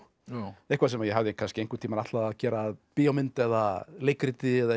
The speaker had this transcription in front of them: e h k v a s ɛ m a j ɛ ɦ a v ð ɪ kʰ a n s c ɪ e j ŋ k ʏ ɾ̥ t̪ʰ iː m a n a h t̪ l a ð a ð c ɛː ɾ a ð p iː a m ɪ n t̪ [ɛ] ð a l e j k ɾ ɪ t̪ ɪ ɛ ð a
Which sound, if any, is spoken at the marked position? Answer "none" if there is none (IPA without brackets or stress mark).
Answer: ɛ